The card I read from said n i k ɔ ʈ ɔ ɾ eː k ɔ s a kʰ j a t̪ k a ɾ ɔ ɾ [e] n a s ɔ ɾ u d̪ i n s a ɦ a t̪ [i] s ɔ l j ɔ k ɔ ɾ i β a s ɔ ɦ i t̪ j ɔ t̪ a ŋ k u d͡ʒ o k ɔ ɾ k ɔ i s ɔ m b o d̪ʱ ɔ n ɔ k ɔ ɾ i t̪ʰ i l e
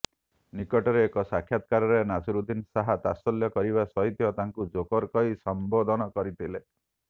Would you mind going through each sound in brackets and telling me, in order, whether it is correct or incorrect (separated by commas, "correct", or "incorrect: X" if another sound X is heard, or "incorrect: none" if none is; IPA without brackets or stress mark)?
correct, incorrect: a